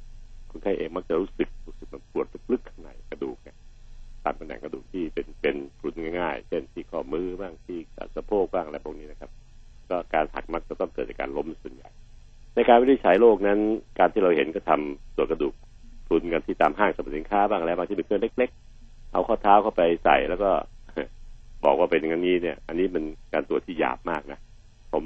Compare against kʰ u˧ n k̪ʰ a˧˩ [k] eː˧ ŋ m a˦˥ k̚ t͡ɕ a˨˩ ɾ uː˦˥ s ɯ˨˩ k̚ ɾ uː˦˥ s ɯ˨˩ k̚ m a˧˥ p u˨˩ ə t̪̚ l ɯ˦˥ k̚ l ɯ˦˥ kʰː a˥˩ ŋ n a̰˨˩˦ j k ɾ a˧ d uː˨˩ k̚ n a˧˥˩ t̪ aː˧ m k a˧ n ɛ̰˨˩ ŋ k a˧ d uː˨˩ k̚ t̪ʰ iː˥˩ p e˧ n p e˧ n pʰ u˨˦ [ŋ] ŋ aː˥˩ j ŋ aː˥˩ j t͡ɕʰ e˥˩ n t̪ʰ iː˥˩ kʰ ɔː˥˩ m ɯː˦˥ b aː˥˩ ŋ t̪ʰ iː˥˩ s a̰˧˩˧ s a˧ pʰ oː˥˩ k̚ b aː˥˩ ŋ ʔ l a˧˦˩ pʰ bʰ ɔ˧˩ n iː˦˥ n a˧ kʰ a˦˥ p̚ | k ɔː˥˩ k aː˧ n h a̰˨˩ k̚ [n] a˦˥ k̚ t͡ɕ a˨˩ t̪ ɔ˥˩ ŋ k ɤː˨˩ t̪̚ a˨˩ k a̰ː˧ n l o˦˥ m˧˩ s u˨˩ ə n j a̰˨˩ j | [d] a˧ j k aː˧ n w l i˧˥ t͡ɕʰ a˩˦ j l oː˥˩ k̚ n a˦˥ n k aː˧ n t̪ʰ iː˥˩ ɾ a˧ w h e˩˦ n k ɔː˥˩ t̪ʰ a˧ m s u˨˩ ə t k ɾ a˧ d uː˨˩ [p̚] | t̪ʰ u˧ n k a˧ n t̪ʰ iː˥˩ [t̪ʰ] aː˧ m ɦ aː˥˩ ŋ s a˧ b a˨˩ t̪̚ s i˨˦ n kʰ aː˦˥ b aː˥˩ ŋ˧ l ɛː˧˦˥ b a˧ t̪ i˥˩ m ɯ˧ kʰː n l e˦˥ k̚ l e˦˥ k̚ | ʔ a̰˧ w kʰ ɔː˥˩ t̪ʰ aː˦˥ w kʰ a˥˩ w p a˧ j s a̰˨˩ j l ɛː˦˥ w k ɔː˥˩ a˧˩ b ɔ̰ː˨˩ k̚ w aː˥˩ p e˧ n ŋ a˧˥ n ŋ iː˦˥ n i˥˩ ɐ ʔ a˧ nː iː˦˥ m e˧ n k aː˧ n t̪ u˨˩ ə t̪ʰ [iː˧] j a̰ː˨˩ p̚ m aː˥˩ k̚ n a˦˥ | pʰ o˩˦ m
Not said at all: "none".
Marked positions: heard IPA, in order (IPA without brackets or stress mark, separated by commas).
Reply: ʔ, n, m, n, k̚, t̪, iː˥˩